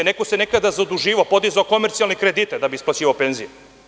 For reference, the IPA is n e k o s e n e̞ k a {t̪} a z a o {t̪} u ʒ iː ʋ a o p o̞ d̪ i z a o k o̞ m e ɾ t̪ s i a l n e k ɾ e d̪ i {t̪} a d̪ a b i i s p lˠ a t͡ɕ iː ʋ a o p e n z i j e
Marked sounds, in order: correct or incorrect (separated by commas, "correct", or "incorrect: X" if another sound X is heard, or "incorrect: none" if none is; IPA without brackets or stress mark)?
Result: incorrect: d̪, incorrect: d̪, correct